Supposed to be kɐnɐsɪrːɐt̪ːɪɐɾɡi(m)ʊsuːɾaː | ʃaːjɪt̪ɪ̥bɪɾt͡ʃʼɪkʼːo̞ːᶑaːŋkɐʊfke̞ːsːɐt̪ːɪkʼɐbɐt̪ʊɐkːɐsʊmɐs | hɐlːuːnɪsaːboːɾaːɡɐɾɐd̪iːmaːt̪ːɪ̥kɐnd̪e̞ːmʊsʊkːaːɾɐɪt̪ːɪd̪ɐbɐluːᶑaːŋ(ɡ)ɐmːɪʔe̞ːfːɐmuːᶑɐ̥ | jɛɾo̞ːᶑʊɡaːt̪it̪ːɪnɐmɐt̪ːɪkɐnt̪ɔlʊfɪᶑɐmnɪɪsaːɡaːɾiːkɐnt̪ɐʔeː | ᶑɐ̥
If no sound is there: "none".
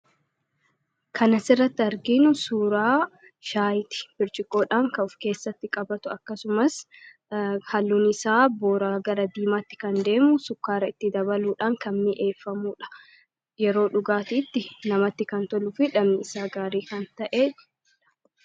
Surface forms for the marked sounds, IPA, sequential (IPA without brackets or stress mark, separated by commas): n, k